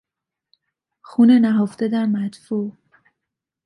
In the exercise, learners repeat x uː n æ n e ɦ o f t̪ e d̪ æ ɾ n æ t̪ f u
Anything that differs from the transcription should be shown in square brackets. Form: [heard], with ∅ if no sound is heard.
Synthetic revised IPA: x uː n [e] n [æ] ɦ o f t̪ e d̪ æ ɾ [m] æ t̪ f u